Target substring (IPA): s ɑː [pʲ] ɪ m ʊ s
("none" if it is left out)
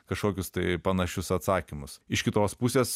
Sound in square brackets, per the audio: kʲ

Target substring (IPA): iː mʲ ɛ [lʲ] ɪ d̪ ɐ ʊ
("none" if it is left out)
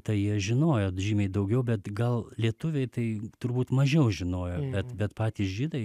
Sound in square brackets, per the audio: none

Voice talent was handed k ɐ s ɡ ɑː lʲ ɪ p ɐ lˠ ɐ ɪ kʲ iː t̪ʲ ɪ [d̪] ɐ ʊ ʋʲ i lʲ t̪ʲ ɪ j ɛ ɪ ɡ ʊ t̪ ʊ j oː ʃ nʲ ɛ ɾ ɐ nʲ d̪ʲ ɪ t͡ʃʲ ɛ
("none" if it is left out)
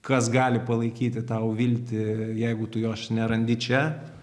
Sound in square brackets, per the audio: t̪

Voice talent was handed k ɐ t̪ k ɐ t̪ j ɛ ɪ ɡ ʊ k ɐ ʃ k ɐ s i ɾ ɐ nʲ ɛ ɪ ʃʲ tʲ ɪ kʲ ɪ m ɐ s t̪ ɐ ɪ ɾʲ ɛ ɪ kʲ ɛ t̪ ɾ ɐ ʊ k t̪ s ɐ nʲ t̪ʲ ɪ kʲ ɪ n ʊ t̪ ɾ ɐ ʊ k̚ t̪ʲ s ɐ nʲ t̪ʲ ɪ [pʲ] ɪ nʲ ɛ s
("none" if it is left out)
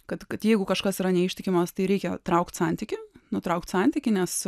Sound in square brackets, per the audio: kʲ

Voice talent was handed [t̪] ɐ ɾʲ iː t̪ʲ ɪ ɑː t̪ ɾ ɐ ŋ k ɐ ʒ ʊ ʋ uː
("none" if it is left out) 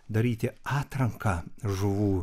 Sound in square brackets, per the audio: d̪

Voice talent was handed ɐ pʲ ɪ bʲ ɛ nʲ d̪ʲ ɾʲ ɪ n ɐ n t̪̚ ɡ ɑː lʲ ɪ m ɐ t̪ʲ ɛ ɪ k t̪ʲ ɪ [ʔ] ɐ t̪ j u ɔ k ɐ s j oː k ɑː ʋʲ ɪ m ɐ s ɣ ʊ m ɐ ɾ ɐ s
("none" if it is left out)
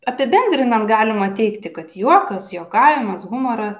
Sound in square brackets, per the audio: k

